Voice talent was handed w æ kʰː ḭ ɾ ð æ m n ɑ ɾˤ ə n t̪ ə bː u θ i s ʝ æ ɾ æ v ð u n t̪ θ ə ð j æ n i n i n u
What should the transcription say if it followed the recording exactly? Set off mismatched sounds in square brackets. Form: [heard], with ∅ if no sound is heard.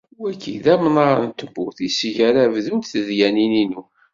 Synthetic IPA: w æ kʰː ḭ [∅] ð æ m n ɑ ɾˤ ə n t̪ ə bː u θ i s ʝ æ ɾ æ v ð u n t̪ θ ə ð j æ n i n i n u